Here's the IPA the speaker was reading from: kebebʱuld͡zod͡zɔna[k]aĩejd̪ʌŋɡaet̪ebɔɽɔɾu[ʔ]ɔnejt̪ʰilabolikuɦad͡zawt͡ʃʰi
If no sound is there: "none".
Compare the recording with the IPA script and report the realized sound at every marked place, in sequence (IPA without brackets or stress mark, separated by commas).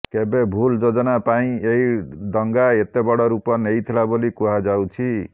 p, p